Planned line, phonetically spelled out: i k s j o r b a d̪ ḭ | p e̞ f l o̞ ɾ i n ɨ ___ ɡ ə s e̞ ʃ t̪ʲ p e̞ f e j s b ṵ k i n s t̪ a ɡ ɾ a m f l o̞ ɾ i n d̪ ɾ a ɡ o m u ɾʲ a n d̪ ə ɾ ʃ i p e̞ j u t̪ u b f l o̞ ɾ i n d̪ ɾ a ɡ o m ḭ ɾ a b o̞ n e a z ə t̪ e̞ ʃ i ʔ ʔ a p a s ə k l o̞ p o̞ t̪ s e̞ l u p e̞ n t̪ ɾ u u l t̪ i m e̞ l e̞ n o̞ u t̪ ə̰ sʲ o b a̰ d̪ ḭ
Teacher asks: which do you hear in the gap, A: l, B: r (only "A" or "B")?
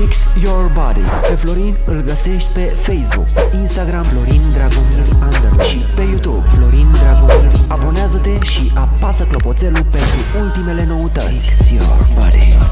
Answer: A